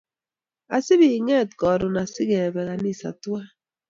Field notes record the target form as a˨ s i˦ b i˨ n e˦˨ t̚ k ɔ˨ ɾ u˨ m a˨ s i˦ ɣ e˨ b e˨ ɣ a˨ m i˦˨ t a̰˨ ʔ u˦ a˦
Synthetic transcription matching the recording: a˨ s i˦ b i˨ ŋ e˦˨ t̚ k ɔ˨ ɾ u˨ n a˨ s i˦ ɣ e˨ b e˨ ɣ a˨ n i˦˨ s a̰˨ t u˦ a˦